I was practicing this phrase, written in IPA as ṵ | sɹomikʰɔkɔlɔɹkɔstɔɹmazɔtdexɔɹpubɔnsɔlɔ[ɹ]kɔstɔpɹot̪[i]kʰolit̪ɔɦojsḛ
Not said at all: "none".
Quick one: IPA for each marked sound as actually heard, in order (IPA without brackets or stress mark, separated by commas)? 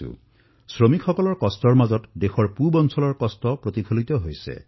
ɹ, i